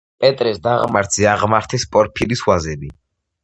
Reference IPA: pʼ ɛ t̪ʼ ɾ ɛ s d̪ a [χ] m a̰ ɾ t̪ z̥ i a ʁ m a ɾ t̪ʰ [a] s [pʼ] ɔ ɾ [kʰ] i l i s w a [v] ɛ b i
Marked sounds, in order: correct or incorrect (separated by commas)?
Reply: incorrect, incorrect, correct, incorrect, incorrect